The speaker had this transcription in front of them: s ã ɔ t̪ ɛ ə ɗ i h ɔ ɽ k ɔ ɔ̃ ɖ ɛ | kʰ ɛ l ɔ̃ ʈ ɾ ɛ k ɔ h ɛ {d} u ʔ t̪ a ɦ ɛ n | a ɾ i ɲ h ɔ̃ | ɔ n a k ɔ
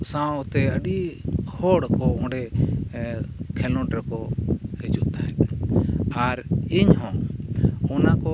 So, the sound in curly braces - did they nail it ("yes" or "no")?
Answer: no